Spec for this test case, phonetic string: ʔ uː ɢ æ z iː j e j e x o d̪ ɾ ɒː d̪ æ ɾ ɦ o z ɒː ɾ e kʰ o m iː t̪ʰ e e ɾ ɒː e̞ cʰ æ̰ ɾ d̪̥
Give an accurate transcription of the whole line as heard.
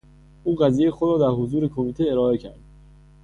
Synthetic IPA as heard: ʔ uː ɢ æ z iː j e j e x o d̪ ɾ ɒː d̪ æ ɾ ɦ o z uː ɾ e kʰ o m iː t̪ʰ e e ɾ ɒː e̞ cʰ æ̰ ɾ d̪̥